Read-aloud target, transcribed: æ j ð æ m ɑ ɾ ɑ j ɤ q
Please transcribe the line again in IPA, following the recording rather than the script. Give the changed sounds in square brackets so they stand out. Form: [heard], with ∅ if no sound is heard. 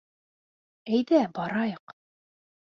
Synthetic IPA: æ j ð æ [b] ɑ ɾ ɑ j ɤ q